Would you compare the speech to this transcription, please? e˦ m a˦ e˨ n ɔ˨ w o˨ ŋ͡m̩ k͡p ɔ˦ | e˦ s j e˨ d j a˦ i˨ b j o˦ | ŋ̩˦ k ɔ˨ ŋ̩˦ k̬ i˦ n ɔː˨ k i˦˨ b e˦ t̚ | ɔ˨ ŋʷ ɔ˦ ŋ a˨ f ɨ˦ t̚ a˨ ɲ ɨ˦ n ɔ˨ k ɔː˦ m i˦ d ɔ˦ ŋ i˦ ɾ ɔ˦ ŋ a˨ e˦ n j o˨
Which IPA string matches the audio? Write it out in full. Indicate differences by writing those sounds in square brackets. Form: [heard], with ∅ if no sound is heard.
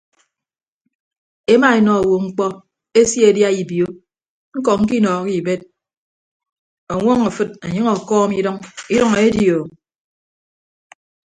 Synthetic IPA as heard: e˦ m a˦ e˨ n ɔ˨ w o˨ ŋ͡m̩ k͡p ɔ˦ | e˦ s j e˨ d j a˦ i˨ b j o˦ | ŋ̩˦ k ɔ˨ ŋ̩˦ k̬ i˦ n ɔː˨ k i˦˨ b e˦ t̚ | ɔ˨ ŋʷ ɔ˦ ŋ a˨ f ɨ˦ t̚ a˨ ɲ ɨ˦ [ŋ] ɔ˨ k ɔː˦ m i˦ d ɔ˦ ŋ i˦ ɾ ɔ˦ ŋ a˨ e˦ [d] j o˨